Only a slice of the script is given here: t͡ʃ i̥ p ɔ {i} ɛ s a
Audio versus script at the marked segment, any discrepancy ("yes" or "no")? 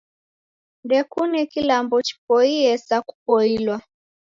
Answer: no